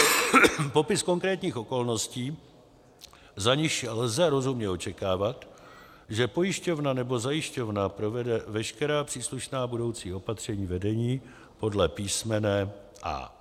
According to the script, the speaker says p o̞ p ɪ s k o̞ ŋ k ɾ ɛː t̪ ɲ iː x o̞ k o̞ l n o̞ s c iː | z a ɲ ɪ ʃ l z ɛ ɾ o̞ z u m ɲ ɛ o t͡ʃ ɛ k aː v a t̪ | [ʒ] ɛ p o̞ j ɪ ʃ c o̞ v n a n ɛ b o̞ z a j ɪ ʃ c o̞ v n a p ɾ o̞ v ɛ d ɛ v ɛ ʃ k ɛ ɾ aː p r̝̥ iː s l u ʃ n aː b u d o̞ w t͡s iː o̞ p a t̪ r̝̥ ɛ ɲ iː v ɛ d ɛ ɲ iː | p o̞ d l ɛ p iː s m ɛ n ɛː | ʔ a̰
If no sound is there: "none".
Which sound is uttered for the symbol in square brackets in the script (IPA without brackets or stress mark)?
ʒ